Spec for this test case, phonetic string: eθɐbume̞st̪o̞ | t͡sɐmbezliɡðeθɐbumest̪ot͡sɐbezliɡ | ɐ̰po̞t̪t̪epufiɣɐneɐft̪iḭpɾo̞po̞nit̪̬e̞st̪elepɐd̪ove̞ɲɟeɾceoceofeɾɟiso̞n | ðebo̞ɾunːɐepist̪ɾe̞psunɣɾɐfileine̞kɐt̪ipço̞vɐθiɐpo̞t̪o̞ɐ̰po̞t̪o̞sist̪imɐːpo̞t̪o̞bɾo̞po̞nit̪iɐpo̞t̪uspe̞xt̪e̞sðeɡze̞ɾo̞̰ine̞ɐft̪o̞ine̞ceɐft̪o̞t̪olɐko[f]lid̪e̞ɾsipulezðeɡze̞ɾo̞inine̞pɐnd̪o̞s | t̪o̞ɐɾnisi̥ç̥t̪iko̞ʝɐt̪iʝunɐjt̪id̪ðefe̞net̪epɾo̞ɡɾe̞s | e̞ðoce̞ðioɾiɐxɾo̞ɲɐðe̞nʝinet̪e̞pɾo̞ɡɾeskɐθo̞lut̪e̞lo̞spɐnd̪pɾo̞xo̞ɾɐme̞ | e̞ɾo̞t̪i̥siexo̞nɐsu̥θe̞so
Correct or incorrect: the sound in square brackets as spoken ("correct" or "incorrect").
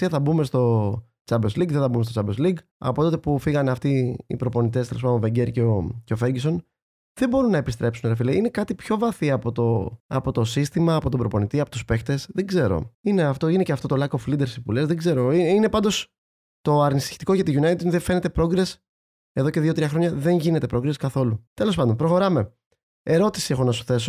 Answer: correct